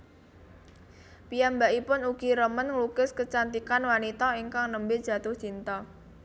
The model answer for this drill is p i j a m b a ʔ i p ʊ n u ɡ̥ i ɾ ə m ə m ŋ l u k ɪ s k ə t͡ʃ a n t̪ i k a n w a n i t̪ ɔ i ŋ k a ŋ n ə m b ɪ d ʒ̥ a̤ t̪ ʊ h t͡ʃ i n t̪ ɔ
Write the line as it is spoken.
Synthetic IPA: p i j a m b a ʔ i p ʊ n u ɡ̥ i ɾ ə m ə n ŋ l u k ɪ s k ə t͡ʃ a n t̪ i k a n w a n i t̪ ɔ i ŋ k a ŋ n ə m b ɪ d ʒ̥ a̤ t̪ ʊ h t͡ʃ i n t̪ ɔ